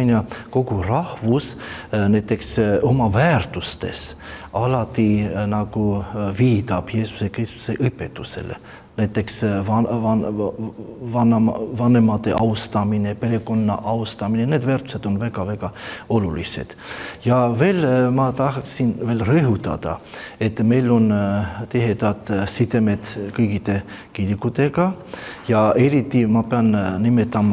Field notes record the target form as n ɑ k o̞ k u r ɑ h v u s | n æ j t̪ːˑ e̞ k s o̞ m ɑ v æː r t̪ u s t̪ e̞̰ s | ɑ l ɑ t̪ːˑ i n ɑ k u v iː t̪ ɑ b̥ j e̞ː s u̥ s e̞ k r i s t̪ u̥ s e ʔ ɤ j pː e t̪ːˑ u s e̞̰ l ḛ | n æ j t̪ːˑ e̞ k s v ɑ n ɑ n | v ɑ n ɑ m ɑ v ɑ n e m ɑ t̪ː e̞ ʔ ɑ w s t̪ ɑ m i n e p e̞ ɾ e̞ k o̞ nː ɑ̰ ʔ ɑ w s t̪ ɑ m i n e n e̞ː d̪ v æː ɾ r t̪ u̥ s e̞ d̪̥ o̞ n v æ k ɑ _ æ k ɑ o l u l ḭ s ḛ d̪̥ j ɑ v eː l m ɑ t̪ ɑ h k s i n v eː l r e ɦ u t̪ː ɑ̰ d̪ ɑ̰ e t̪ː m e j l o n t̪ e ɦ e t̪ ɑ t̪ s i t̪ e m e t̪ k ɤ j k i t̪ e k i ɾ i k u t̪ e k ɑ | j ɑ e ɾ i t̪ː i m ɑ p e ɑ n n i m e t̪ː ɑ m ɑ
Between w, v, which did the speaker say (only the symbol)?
v